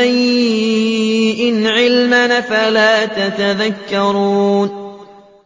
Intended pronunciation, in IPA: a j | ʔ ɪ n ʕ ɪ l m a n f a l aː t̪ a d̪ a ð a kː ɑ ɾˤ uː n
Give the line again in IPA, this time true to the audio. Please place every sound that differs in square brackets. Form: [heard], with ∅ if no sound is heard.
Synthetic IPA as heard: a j | ʔ ɪ n ʕ ɪ l m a n f a l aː t̪ a [t̪] a ð a kː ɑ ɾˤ uː n